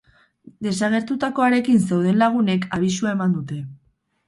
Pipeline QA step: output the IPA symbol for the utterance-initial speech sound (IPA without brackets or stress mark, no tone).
d̪